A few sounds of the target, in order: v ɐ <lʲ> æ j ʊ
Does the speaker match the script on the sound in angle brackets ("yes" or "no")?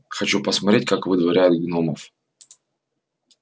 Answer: no